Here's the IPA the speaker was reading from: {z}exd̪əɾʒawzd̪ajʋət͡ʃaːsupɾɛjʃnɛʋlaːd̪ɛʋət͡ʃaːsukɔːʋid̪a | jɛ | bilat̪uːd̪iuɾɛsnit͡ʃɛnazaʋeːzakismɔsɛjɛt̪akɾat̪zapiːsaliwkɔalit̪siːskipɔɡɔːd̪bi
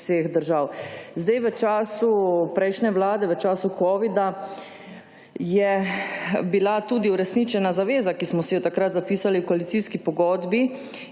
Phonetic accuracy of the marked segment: incorrect: s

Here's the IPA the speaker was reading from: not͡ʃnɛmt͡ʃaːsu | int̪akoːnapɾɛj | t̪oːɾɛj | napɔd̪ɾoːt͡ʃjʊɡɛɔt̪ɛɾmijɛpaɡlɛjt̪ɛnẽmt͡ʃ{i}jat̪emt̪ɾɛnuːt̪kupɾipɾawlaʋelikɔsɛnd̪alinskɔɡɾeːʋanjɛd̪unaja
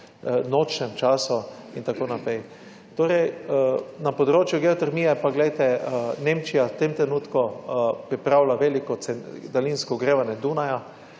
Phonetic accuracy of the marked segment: correct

